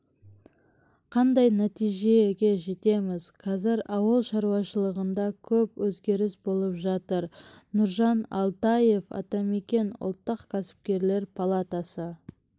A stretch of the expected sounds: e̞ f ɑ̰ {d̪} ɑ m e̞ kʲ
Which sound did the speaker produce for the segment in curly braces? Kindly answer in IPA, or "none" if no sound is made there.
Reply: t̪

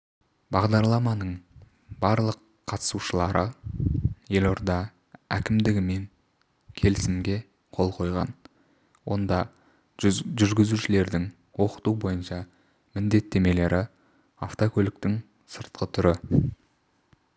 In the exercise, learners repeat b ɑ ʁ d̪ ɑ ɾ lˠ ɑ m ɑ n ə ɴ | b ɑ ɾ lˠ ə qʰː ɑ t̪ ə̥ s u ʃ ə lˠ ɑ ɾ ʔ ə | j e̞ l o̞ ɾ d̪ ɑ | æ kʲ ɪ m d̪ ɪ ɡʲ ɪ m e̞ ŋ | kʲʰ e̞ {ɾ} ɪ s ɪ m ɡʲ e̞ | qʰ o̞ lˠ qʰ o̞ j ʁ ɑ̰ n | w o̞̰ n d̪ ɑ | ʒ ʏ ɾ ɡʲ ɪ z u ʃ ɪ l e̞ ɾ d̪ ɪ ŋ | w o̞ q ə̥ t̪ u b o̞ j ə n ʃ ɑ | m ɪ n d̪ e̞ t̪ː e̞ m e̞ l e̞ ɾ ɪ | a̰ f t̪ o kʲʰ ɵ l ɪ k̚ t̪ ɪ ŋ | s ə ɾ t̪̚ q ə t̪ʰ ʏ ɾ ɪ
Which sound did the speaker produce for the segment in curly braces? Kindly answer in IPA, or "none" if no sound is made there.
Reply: l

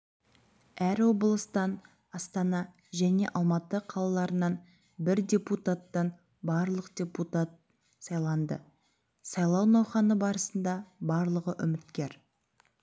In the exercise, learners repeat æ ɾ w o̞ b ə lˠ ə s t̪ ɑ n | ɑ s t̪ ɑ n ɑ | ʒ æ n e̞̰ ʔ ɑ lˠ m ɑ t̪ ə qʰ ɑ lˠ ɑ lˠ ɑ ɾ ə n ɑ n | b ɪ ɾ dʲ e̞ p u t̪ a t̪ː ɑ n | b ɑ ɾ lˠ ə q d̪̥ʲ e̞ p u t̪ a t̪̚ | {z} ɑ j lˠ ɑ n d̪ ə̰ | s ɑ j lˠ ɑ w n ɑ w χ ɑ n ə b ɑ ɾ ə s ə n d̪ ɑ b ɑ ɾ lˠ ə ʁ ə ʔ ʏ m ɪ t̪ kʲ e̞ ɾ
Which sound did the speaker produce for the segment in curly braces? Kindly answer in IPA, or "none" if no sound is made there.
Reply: s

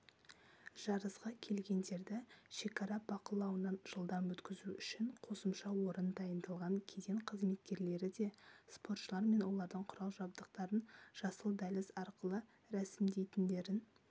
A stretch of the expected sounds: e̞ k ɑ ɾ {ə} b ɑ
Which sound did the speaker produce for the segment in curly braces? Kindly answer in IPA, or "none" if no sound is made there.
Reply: ɑ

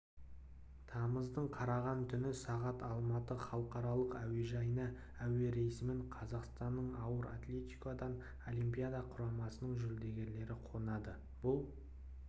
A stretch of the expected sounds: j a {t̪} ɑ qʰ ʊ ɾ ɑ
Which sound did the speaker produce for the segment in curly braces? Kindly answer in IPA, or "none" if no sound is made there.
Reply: d̪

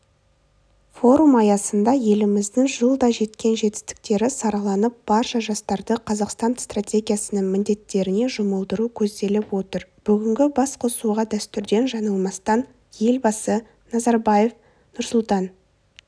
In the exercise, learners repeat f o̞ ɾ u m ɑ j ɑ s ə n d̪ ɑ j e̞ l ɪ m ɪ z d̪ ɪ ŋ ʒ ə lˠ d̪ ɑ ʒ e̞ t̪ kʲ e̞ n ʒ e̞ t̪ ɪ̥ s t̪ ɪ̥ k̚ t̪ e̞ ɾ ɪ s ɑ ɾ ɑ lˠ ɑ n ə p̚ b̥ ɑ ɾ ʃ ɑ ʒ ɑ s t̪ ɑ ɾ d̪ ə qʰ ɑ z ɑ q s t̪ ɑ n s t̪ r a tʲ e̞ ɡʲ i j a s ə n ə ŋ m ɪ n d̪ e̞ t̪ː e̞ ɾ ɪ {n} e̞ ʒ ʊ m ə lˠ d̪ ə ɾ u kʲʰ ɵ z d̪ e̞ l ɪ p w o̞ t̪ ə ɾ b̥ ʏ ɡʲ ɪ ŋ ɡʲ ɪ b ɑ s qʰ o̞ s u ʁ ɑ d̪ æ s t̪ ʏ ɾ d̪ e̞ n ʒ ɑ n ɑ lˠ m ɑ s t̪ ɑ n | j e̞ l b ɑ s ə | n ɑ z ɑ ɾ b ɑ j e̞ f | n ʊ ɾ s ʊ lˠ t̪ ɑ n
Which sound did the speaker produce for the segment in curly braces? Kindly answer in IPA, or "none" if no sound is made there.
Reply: n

